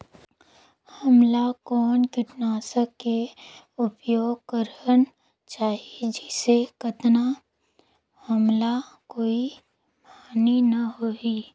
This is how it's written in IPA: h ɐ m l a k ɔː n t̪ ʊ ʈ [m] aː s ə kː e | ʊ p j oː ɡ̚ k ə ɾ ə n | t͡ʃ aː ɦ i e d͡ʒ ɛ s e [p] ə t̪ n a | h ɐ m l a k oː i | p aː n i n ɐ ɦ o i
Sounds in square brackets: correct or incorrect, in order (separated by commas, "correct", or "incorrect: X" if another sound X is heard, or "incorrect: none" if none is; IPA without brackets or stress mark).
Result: incorrect: n, incorrect: k